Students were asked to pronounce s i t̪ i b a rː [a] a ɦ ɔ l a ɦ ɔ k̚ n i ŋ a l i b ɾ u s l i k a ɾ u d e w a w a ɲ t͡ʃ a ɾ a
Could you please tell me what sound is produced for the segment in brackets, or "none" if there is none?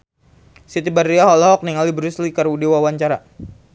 i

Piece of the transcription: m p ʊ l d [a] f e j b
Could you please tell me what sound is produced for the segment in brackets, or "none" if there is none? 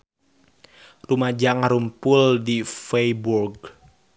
i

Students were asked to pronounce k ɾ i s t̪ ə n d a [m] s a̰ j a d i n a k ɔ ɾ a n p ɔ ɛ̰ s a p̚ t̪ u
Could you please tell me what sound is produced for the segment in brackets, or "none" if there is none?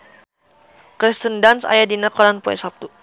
n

